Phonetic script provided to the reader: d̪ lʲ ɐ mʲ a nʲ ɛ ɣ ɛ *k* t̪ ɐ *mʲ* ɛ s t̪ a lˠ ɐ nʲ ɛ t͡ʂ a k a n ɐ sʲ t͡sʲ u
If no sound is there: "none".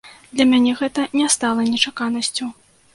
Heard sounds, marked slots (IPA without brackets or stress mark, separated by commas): none, nʲ